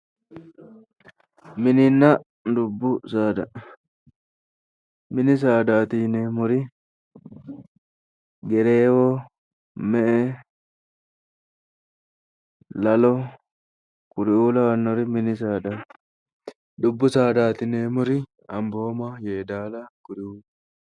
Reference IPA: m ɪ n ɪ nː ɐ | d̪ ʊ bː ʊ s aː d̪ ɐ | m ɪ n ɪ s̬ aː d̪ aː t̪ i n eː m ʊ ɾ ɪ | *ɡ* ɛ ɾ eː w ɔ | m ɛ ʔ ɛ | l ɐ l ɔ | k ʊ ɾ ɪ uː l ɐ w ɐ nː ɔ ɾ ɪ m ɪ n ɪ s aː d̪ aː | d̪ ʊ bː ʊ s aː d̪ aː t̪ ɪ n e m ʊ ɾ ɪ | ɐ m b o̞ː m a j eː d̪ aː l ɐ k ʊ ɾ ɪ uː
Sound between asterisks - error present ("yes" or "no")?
no